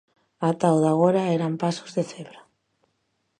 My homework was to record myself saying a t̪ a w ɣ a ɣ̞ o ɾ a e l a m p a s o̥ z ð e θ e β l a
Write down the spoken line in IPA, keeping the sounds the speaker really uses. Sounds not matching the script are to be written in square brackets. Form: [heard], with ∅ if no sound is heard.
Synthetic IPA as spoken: a t̪ a w [ð] a ɣ̞ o ɾ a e [ɾ] a m p a s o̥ z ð e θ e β [ɾ] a